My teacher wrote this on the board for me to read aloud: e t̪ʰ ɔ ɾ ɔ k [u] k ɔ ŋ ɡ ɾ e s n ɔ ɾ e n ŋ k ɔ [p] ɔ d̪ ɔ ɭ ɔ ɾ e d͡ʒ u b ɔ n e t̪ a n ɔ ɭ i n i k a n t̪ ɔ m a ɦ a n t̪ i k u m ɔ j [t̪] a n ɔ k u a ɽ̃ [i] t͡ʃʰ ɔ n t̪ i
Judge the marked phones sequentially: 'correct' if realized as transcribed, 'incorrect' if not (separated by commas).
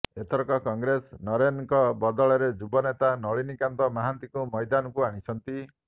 incorrect, incorrect, incorrect, correct